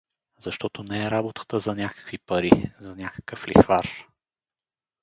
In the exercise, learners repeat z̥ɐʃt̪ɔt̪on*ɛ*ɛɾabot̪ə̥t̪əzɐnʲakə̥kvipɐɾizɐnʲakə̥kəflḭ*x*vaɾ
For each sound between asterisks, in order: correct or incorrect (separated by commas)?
correct, correct